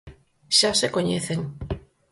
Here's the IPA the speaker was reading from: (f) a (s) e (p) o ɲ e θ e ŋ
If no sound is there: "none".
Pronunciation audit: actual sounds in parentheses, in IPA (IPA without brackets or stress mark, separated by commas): ʃ, s, k